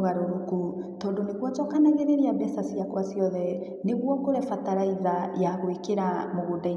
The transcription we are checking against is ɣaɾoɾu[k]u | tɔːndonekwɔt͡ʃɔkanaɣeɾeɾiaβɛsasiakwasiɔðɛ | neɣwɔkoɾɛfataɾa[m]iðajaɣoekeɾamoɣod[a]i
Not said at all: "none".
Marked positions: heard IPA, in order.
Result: k, none, a

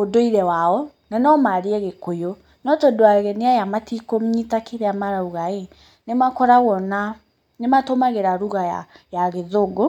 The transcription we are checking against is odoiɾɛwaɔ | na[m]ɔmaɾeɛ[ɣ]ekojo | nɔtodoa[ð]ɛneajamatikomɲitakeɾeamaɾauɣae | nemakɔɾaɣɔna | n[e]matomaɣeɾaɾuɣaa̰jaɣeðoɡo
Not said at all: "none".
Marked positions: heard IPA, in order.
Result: n, ɣ, ɣ, e

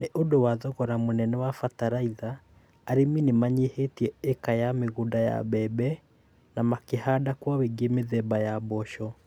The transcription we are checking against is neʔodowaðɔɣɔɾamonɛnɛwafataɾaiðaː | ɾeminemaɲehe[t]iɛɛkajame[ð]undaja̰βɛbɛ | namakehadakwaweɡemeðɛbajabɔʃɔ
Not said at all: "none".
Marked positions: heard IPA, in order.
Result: t, ɣ

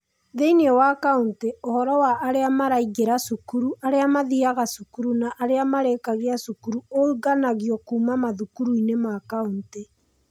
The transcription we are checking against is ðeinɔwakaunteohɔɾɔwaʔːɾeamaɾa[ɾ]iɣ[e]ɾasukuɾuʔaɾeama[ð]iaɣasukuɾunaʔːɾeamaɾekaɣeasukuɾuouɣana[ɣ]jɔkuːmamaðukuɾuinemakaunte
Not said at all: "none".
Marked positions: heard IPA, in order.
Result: none, e, ð, ɣ

